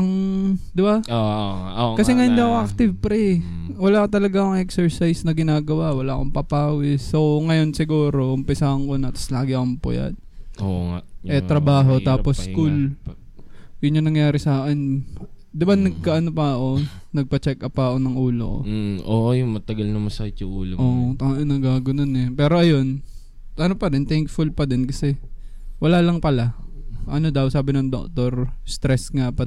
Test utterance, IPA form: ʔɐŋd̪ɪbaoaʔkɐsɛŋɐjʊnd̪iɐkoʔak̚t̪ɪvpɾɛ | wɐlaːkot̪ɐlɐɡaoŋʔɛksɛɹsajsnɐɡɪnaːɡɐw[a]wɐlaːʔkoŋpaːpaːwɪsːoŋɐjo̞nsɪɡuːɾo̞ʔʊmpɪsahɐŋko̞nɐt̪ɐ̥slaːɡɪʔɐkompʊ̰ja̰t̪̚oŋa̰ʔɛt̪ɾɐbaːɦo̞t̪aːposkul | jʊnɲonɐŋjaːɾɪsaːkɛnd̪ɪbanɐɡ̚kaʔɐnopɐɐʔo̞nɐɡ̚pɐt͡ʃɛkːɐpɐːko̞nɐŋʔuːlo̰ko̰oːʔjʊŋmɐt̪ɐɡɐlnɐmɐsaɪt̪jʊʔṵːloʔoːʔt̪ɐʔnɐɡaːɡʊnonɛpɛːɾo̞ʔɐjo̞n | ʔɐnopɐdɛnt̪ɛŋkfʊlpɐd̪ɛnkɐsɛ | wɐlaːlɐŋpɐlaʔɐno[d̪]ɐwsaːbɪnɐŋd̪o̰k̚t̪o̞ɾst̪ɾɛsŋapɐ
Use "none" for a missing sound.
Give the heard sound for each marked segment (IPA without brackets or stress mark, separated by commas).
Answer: a, d̪